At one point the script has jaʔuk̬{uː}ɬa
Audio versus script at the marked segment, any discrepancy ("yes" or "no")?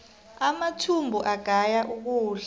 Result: no